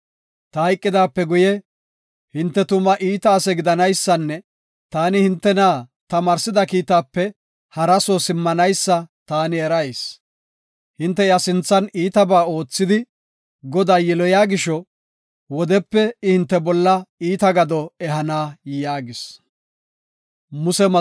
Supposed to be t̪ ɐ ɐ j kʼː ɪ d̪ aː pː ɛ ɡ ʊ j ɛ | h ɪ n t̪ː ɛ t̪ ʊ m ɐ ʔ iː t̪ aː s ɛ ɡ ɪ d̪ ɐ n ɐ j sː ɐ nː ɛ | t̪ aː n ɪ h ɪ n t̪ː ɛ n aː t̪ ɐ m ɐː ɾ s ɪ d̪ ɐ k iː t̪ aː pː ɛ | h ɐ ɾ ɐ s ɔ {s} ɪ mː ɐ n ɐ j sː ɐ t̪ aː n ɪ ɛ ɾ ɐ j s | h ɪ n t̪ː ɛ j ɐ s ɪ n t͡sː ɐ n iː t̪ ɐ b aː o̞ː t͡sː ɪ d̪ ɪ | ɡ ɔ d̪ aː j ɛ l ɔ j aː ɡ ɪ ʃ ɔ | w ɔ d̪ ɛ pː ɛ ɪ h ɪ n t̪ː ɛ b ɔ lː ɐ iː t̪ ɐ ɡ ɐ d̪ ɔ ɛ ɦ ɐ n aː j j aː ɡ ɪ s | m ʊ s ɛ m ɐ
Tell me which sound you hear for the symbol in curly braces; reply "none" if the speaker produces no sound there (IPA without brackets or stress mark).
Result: s